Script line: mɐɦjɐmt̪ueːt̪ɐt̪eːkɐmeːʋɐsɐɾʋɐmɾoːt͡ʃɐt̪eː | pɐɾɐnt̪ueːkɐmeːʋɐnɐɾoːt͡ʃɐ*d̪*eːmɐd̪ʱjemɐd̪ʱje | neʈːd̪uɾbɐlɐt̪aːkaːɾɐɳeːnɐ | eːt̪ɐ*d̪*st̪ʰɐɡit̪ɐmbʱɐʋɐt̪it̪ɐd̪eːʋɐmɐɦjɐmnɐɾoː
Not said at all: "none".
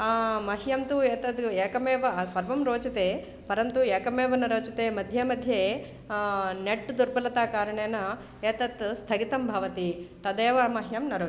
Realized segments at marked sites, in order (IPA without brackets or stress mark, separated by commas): t̪, t̪